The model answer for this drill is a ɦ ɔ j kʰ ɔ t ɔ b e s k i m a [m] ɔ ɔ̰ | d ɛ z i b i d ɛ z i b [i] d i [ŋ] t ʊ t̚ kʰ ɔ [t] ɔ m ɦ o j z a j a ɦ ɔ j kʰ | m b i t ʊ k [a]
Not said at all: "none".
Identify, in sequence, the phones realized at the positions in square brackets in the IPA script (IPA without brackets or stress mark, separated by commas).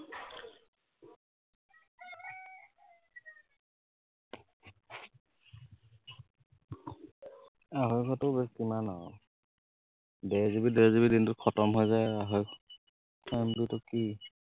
n, i, n, t, i